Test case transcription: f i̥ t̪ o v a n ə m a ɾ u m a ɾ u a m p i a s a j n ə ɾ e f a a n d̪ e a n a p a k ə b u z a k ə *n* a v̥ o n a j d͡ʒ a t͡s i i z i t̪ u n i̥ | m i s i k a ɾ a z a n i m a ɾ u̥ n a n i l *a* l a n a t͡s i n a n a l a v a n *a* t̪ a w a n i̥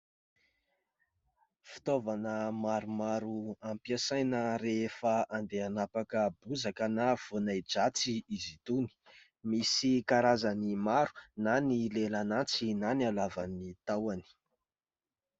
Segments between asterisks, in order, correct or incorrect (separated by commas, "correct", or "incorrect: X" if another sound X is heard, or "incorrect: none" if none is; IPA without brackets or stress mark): correct, incorrect: e, incorrect: i